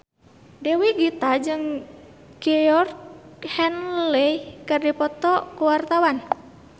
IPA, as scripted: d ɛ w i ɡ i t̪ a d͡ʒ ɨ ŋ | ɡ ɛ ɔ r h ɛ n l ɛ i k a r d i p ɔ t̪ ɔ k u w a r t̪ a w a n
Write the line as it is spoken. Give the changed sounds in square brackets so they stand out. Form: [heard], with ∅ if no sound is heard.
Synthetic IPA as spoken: d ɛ w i ɡ i t̪ a d͡ʒ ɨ ŋ | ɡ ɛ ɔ r h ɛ n l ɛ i k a r d i p ɔ t̪ ɔ k u w a r t̪ a w a n

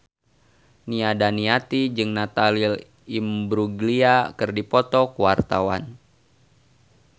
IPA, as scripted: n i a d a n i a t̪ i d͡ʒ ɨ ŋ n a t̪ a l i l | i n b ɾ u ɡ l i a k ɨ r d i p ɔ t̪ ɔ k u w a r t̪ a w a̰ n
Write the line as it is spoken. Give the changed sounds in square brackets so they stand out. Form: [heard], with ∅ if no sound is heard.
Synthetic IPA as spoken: n i a d a n i a t̪ i d͡ʒ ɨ ŋ n a t̪ a l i l | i [m] b ɾ u ɡ l i a k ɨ r d i p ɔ t̪ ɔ k u w a r t̪ a w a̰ n

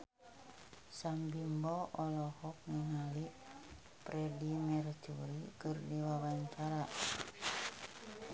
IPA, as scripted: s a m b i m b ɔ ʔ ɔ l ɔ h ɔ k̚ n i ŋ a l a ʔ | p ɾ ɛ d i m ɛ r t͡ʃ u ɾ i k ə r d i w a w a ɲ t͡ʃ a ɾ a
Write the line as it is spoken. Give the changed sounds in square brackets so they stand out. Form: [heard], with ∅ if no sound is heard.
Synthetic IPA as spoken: s a m b i m b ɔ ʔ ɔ l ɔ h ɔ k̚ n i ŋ a l [i] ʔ | p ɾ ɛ d i m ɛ r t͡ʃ u ɾ i k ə r d i w a w a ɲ t͡ʃ a ɾ a

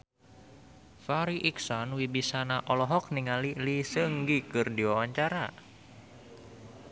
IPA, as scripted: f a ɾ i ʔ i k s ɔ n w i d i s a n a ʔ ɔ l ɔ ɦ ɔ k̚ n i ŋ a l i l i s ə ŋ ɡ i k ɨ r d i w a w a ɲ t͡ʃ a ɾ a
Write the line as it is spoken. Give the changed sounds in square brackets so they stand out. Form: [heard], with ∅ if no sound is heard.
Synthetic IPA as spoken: f a ɾ i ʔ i k s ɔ n w i [b] i s a n a ʔ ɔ l ɔ ɦ ɔ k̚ n i ŋ a l i l i s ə ŋ ɡ i k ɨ r d i w a w a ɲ t͡ʃ a ɾ a

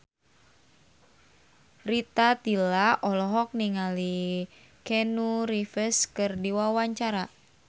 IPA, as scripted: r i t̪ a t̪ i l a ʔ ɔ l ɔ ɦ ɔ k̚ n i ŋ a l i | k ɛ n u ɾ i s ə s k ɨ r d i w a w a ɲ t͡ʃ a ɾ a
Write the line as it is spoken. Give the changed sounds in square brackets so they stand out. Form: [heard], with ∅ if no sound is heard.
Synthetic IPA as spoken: r i t̪ a t̪ i l a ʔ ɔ l ɔ ɦ ɔ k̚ n i ŋ a l i | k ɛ n u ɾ i [f] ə s k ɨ r d i w a w a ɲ t͡ʃ a ɾ a

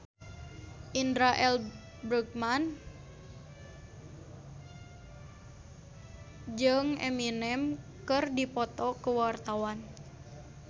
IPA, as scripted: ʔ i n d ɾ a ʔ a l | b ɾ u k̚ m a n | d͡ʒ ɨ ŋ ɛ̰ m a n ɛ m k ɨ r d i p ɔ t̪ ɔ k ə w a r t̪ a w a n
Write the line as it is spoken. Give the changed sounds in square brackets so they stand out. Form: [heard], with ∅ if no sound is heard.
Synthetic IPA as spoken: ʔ i n d ɾ a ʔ [ɛ] l | b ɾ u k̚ m a n | d͡ʒ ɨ ŋ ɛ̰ m [i] n ɛ m k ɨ r d i p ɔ t̪ ɔ k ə w a r t̪ a w a n

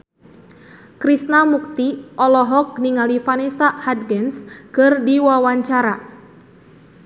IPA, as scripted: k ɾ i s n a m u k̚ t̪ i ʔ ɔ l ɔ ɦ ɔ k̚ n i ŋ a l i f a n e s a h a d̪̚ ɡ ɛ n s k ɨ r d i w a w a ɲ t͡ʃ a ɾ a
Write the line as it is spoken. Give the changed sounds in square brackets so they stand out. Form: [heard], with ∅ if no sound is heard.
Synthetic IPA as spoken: k ɾ i s n a m u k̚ t̪ i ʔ ɔ l ɔ ɦ ɔ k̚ n i ŋ a l i f a n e s a h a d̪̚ ɡ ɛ n s k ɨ r d i w a w a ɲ t͡ʃ a ɾ a

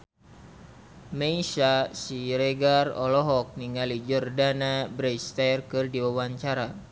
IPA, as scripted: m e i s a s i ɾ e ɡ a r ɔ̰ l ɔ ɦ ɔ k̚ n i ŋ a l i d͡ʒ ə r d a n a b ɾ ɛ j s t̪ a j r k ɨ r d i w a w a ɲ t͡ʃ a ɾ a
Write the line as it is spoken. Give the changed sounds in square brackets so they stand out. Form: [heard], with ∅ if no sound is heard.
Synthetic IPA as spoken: m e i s a s i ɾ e ɡ a r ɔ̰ l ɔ ɦ ɔ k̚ n i ŋ a l i d͡ʒ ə r d a n a b ɾ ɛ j s t̪ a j r k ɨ r d i w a w a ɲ t͡ʃ a ɾ a

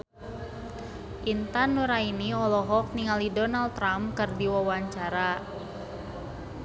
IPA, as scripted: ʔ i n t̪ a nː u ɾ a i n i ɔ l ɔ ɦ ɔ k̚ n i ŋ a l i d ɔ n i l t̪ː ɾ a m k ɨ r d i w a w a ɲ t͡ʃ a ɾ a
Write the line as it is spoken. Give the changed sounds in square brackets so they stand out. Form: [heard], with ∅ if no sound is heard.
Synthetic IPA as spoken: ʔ i n t̪ a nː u ɾ a i n i ɔ l ɔ ɦ ɔ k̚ n i ŋ a l i d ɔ n [a] l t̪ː ɾ a m k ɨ r d i w a w a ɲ t͡ʃ a ɾ a

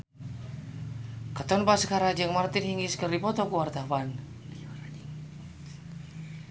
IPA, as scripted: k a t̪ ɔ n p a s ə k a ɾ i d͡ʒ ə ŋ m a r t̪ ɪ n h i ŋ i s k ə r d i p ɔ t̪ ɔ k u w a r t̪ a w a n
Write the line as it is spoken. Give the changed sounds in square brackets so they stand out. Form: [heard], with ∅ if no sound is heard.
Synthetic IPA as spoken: k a t̪ ɔ n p a s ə k a ɾ [a] d͡ʒ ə ŋ m a r t̪ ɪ n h i ŋ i s k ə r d i p ɔ t̪ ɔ k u w a r t̪ a w a n

